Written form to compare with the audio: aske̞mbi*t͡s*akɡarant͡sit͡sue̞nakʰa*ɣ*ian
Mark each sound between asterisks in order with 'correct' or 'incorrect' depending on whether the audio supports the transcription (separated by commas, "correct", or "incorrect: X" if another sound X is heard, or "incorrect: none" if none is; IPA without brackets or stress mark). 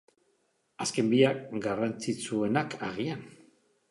incorrect: none, correct